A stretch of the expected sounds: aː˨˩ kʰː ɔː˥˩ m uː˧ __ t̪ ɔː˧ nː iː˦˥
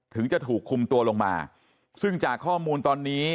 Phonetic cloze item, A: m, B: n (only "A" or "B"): B